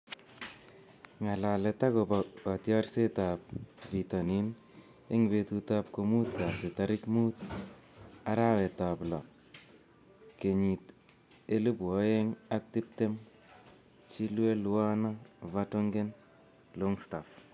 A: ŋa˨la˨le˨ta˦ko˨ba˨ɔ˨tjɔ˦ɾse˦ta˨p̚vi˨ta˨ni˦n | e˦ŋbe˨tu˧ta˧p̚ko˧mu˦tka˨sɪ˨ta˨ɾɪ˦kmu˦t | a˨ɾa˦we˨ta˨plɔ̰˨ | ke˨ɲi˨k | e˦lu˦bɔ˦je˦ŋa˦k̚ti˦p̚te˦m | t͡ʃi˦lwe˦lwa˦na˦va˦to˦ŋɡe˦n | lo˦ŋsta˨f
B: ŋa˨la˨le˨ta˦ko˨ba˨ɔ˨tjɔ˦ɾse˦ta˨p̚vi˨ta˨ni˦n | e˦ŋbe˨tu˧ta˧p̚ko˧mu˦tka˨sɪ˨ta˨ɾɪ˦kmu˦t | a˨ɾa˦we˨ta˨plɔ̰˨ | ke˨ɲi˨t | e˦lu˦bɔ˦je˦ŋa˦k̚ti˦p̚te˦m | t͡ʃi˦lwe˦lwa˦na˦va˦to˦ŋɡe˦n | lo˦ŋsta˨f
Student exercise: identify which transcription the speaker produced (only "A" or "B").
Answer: B